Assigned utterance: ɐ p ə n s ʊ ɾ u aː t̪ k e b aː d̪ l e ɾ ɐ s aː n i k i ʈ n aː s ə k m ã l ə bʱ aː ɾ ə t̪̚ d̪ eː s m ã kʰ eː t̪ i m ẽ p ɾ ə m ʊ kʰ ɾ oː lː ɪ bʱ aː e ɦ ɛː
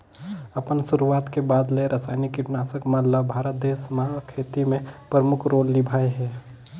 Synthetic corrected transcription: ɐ p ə n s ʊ ɾ u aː t̪ k e b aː d̪ l e ɾ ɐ s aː n i k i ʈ n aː s ə k m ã l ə bʱ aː ɾ ə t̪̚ d̪ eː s m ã kʰ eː t̪ i m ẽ p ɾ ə m ʊ kʰ ɾ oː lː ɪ bʱ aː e ɦ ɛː